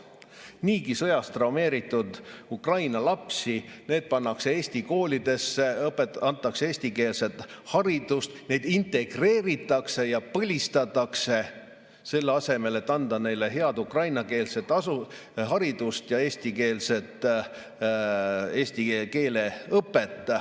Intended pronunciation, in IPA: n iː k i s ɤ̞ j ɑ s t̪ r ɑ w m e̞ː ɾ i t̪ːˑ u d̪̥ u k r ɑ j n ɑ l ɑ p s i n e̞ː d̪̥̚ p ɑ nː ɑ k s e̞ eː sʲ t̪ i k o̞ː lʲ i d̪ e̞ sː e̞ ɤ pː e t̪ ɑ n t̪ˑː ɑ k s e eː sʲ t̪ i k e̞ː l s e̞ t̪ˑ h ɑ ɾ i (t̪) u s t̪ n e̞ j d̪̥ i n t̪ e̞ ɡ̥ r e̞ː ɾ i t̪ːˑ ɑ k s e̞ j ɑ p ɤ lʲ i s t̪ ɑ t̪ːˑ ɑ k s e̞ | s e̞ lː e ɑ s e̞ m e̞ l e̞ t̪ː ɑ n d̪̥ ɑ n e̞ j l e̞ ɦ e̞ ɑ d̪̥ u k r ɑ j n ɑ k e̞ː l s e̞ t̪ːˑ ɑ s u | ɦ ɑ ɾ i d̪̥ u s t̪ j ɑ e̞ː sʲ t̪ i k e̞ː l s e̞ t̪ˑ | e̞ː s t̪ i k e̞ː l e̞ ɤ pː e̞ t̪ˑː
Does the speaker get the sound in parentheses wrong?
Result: yes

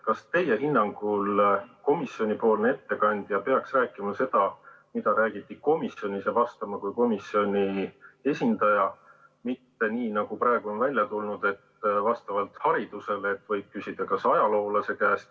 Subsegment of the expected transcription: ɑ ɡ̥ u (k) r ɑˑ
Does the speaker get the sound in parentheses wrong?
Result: yes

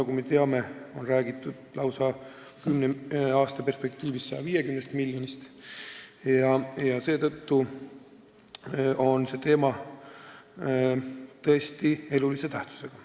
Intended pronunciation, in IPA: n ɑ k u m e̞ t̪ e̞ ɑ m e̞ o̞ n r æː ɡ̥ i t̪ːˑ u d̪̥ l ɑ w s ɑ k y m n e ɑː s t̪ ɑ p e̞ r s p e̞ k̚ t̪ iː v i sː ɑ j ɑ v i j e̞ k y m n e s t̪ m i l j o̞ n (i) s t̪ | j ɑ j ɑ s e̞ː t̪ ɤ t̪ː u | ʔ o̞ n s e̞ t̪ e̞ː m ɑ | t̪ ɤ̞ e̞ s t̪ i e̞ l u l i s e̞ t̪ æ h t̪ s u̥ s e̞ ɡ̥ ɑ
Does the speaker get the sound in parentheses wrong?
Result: no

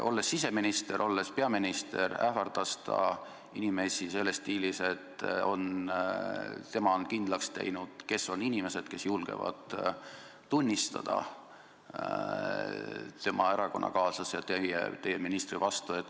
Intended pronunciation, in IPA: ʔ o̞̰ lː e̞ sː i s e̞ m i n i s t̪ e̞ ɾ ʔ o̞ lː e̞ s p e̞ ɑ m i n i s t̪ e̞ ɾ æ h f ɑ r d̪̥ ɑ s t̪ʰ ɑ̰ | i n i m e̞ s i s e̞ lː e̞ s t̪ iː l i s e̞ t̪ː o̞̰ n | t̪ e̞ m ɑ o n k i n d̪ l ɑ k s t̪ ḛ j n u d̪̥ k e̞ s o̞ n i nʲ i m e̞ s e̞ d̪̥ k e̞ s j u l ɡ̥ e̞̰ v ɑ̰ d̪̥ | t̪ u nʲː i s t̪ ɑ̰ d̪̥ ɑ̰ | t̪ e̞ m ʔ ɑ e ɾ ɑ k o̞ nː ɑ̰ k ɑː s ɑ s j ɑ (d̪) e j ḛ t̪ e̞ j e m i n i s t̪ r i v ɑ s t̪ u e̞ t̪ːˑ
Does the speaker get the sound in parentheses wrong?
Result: yes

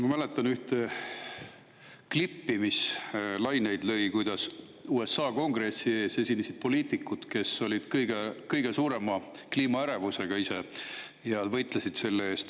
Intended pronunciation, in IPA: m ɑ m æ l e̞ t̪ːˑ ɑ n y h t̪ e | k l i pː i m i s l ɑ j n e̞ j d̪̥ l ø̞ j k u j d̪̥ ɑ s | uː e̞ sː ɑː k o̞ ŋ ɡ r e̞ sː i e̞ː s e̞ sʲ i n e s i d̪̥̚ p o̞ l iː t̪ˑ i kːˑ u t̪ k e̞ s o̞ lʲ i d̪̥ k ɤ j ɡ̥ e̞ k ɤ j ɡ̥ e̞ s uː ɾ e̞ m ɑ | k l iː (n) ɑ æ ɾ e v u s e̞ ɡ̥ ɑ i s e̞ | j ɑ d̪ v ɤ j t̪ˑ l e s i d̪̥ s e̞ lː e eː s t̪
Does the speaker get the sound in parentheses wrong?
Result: yes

